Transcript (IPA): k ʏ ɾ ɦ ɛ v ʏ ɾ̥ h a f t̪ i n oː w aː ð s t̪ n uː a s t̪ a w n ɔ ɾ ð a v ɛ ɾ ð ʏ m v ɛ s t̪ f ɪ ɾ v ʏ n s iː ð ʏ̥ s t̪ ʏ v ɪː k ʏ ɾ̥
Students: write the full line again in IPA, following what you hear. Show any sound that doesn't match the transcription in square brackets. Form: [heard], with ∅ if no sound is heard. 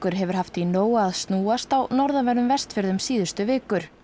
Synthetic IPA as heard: k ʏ ɾ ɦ ɛ v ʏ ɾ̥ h a f t̪ i n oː w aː ð s t̪ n uː a s t̪ a w n ɔ ɾ ð a v ɛ ɾ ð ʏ m v ɛ s t̪ f ɪ ɾ [ð] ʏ [m] s iː ð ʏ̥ s t̪ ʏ v ɪː k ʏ ɾ̥